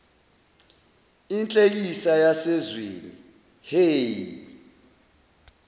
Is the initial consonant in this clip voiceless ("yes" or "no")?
no